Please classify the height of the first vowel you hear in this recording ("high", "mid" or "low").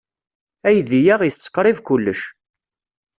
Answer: low